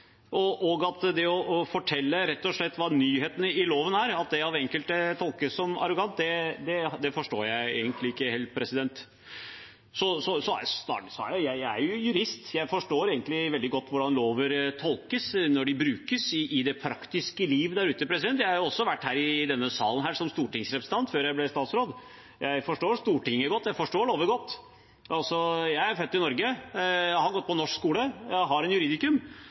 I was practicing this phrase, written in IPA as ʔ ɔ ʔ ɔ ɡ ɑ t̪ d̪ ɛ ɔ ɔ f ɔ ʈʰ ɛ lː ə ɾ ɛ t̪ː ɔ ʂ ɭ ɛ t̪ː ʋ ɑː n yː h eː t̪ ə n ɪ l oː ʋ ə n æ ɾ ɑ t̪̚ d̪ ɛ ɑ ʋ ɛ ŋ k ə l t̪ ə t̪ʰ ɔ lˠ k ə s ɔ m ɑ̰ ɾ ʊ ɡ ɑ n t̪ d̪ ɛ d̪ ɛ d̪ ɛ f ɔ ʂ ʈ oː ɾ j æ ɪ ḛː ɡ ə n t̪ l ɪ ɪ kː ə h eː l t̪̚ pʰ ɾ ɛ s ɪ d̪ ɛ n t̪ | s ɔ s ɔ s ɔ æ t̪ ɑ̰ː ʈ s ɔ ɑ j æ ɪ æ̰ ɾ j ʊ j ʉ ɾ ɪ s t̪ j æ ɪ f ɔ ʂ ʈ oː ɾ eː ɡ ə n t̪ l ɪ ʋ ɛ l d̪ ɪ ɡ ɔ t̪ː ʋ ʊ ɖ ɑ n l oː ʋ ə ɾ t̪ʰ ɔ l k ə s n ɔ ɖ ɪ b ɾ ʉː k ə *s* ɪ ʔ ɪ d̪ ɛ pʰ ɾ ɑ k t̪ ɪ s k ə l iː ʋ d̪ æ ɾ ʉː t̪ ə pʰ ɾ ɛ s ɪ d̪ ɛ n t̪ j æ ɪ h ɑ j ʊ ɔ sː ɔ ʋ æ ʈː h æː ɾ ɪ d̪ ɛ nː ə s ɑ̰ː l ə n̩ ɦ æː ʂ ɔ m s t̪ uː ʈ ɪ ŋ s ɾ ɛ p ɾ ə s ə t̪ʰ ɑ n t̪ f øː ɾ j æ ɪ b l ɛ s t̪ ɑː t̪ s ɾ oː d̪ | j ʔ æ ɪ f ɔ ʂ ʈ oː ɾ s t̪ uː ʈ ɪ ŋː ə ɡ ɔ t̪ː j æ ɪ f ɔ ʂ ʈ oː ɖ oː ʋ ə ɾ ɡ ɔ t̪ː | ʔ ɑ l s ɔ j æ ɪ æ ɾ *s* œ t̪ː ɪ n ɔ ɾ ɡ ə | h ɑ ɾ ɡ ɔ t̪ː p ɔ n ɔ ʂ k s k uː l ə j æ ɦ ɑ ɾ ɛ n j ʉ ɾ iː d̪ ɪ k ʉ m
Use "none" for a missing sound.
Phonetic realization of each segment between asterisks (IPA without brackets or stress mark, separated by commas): s, f